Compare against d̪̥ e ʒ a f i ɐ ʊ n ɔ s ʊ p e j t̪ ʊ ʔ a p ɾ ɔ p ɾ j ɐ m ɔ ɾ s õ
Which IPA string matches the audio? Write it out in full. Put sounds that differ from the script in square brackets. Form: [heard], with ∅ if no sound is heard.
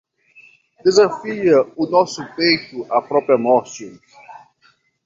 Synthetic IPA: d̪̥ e [z] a f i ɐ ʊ n ɔ s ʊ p e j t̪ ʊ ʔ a p ɾ ɔ p ɾ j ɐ m ɔ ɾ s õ